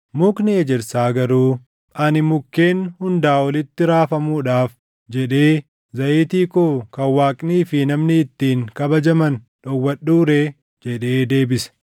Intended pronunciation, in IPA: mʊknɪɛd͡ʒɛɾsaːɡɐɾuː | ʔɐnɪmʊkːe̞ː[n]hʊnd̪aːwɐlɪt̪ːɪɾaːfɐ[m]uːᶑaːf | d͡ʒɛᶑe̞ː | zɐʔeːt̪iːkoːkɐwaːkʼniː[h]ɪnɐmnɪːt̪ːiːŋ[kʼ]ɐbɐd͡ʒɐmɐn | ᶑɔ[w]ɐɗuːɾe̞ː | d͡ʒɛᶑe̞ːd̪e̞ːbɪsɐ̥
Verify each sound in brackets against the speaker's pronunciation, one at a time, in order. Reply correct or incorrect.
correct, correct, incorrect, incorrect, incorrect

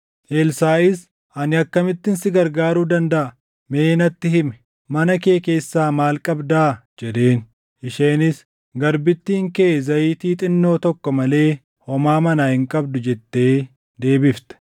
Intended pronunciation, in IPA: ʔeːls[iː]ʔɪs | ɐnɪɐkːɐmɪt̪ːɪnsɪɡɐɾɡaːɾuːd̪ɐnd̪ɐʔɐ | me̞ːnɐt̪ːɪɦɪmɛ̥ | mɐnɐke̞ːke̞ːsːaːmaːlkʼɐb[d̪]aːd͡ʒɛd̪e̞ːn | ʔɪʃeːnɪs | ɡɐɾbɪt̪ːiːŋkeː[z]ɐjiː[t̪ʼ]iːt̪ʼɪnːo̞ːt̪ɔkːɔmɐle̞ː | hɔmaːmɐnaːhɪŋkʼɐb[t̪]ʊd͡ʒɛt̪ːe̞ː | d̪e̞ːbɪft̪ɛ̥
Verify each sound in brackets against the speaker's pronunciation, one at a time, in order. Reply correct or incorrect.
incorrect, correct, correct, incorrect, incorrect

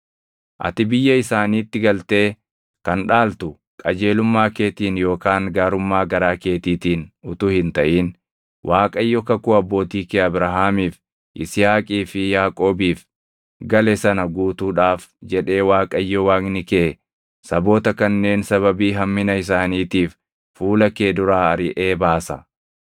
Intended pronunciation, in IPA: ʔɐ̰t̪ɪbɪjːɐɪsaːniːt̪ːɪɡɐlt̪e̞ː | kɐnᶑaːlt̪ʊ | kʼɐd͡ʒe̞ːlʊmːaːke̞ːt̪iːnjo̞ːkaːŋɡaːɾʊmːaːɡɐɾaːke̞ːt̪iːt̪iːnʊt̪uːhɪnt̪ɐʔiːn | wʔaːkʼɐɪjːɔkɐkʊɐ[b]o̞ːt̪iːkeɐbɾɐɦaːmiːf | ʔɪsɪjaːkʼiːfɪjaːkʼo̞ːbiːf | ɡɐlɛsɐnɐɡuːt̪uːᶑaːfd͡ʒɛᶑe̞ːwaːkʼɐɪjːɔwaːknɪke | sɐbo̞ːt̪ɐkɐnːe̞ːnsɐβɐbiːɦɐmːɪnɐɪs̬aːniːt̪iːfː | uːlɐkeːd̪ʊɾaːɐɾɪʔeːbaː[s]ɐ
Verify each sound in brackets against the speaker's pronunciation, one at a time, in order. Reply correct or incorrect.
incorrect, correct

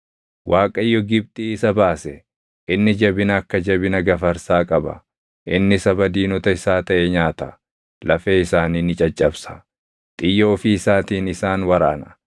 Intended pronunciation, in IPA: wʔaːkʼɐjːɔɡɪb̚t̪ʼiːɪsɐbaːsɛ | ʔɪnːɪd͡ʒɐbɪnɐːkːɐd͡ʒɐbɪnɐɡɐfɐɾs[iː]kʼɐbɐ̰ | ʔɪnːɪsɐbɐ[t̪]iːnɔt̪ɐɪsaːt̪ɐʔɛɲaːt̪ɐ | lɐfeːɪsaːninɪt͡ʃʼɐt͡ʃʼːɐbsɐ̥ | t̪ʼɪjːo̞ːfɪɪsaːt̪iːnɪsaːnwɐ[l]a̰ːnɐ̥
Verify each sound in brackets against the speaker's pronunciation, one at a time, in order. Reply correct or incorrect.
incorrect, incorrect, incorrect

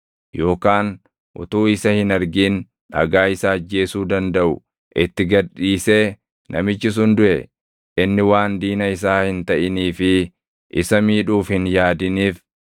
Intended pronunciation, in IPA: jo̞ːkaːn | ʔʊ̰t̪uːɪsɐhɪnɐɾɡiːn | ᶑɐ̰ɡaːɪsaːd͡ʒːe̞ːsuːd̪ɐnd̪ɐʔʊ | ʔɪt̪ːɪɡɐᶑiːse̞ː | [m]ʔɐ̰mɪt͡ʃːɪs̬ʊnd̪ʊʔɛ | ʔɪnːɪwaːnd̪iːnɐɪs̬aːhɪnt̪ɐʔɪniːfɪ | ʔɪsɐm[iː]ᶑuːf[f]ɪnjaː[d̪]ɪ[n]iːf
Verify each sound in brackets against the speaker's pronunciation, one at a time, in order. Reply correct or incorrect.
incorrect, correct, incorrect, correct, correct

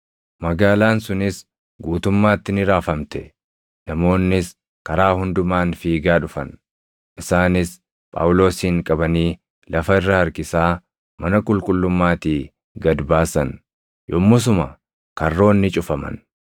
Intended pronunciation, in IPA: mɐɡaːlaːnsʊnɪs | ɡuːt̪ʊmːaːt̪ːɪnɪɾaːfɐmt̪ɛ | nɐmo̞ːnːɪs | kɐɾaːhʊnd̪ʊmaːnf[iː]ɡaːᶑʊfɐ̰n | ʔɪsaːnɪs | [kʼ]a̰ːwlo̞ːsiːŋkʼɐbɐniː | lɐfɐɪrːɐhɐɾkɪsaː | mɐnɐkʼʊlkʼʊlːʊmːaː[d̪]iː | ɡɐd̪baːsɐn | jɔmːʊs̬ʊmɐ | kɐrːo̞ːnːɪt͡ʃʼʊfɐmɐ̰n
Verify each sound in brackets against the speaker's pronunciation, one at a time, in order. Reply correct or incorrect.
correct, incorrect, incorrect

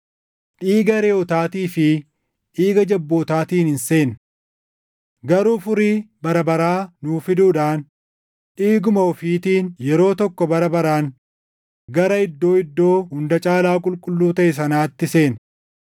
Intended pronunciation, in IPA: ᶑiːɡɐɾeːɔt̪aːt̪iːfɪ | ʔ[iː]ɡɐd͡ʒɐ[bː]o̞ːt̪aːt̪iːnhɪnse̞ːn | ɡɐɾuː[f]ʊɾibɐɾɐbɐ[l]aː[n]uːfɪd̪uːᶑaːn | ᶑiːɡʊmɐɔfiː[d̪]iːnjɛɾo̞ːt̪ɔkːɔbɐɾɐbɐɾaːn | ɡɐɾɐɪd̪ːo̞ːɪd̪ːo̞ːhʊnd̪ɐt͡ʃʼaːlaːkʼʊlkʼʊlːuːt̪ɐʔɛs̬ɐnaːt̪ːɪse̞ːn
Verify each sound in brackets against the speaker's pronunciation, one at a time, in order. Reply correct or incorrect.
correct, correct, correct, incorrect, correct, incorrect

